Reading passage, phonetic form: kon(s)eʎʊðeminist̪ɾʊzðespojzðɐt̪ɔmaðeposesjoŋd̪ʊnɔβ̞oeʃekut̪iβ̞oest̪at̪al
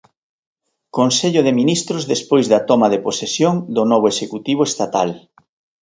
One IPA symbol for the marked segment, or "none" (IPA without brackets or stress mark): s